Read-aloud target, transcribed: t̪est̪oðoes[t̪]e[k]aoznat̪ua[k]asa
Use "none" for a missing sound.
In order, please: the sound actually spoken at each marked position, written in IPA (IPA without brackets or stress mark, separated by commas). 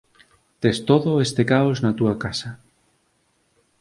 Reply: t̪, k, k